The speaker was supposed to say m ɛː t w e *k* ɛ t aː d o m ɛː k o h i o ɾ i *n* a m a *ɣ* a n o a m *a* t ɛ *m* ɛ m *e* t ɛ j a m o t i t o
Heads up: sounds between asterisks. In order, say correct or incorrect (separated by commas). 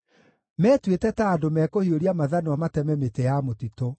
incorrect, incorrect, incorrect, correct, correct, correct